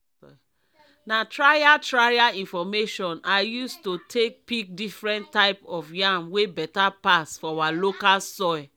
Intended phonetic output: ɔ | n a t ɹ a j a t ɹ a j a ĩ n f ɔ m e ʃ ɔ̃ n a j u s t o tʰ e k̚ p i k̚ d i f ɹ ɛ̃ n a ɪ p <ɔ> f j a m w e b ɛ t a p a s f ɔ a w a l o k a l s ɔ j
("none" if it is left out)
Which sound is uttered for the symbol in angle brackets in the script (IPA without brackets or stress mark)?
ɔ